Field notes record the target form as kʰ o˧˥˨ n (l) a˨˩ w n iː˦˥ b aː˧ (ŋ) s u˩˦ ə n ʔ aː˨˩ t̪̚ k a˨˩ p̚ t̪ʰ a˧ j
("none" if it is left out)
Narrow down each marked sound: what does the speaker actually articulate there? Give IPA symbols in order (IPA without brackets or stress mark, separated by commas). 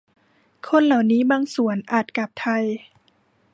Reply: l, ŋ